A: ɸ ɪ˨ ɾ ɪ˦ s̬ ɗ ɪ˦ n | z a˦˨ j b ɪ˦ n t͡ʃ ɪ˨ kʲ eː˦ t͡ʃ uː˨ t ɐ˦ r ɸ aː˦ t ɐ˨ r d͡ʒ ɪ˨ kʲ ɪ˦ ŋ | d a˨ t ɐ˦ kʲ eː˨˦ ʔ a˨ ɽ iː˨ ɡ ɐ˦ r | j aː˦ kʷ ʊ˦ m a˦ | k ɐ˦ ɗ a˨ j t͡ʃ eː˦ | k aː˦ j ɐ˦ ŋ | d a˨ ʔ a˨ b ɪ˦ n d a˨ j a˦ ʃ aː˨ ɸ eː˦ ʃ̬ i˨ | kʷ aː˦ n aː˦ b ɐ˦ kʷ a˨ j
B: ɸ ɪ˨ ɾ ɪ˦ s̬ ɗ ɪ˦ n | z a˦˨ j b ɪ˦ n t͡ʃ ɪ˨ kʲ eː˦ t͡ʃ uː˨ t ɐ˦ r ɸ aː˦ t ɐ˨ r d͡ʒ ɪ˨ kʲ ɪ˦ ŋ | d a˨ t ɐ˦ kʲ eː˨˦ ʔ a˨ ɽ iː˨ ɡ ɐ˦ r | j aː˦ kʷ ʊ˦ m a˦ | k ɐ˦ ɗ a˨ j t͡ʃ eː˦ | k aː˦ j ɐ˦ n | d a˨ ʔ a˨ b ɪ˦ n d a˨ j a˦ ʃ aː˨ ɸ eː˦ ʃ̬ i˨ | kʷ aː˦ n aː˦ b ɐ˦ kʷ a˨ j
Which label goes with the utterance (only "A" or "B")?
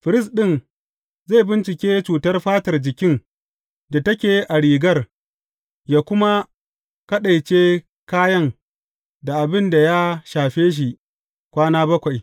A